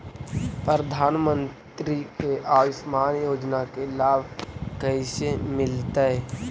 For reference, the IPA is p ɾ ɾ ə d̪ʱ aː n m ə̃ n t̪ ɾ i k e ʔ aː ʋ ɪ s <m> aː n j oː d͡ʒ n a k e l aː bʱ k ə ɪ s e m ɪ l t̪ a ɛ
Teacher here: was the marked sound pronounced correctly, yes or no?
yes